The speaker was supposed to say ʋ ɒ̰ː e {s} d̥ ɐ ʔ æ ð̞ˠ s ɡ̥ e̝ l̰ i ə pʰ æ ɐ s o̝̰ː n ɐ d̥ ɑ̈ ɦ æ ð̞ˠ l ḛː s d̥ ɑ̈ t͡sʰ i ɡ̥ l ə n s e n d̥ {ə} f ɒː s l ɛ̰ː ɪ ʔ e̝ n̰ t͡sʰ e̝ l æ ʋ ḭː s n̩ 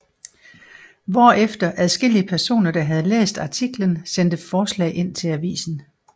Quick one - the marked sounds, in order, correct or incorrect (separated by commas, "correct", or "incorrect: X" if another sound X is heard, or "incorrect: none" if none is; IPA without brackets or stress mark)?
incorrect: f, correct